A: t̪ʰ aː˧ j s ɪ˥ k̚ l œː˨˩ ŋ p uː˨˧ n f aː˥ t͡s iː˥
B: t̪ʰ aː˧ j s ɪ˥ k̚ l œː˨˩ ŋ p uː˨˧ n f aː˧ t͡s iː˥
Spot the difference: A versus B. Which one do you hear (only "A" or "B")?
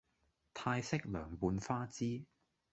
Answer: A